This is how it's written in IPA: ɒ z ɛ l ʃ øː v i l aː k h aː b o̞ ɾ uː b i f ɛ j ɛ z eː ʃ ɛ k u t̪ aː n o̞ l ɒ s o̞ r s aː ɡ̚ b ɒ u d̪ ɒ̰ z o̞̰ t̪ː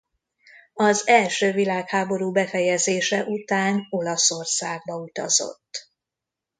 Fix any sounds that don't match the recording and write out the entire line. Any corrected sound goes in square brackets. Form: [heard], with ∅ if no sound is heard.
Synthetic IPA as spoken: ɒ z ɛ l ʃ øː v i l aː k h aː b o̞ ɾ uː b [ɛ] f ɛ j ɛ z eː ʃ ɛ [ʔ] u t̪ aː n o̞ l ɒ s o̞ r s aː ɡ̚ b ɒ u [t̪] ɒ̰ z o̞̰ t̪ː